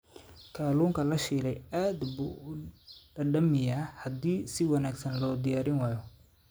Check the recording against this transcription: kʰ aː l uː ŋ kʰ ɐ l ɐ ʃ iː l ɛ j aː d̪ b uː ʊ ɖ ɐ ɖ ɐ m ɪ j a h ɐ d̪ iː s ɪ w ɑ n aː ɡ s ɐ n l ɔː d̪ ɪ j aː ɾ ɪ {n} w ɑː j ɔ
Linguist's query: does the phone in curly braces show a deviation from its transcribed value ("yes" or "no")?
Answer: no